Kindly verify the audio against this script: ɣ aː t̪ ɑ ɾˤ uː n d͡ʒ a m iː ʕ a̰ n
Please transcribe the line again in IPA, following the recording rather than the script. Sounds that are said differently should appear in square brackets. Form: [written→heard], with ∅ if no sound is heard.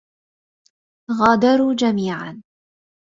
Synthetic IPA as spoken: ɣ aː [t̪→d̪] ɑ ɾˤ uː [n→∅] d͡ʒ a m iː ʕ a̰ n